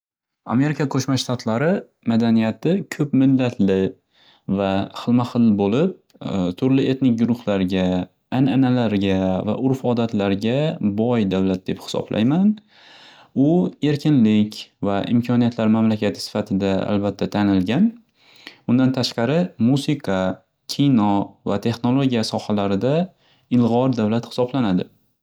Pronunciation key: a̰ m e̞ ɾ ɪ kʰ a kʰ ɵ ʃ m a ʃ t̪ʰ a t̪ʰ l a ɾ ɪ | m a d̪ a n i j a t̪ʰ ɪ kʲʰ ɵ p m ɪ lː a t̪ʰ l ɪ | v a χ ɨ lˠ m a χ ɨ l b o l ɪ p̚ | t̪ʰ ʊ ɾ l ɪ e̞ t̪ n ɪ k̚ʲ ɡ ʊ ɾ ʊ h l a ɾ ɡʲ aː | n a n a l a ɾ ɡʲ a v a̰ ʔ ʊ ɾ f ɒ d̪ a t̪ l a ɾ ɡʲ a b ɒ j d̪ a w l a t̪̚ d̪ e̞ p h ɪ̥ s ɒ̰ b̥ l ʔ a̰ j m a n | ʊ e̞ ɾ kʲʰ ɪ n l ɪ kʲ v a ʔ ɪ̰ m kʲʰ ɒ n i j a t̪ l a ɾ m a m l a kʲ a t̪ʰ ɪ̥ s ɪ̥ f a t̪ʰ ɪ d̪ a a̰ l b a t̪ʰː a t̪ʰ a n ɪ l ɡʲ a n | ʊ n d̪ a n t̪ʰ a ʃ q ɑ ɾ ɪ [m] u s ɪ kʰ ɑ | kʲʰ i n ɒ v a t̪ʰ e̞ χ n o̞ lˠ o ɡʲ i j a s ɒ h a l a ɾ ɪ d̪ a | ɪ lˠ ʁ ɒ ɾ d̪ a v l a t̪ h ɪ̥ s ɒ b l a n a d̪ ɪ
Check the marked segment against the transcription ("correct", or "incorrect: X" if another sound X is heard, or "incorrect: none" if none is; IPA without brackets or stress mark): correct